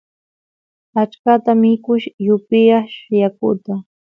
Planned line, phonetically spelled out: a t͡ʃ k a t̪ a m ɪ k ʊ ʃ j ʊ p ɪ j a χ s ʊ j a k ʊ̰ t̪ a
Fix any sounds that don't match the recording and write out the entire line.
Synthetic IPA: a t͡ʃ k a t̪ a m ɪ k ʊ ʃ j ʊ p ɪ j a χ ʃ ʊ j a k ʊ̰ t̪ a